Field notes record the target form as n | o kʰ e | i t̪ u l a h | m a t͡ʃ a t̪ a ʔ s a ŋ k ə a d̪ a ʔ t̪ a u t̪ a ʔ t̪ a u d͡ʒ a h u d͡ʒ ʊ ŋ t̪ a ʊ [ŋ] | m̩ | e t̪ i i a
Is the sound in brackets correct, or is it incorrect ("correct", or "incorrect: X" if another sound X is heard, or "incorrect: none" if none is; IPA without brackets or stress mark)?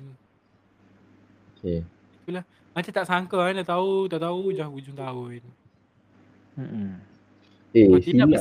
incorrect: n